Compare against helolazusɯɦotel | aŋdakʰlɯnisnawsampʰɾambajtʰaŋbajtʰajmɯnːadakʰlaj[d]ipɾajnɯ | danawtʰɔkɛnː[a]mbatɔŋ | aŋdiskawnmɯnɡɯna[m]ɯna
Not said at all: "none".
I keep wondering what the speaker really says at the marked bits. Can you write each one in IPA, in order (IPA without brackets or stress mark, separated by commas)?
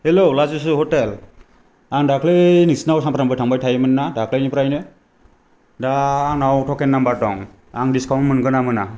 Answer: n, a, m